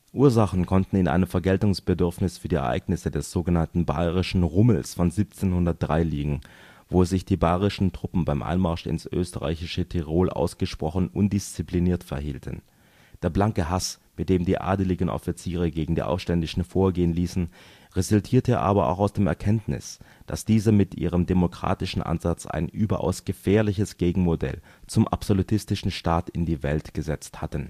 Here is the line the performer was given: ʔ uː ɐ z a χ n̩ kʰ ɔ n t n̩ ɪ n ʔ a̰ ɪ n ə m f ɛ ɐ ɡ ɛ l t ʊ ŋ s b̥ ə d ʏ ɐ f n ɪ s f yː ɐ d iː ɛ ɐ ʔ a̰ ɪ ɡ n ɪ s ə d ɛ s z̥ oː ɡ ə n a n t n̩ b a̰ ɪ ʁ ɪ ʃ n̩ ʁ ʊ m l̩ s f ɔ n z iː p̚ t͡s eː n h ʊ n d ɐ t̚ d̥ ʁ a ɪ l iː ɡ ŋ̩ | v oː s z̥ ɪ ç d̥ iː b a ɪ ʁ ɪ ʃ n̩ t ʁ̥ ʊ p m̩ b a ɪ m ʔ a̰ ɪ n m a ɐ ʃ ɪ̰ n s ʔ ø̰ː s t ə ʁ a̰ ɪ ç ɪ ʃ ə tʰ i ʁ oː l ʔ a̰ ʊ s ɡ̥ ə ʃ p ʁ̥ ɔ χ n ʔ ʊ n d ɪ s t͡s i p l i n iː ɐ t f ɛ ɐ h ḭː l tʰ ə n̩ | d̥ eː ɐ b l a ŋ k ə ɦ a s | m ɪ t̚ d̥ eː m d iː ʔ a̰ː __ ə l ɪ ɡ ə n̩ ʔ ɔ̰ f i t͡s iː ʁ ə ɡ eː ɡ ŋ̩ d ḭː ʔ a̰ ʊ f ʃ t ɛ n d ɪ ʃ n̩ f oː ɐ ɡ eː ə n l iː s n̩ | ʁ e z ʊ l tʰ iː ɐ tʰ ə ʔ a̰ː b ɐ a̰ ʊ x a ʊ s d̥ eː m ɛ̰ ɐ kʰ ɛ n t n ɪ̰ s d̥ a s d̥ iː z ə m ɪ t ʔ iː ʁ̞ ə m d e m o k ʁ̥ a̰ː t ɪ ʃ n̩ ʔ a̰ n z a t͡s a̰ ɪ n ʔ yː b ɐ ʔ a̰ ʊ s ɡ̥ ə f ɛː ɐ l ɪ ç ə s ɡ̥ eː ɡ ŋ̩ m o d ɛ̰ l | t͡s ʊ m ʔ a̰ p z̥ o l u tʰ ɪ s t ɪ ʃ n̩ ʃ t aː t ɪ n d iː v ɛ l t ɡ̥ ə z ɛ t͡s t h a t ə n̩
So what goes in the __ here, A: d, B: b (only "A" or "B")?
A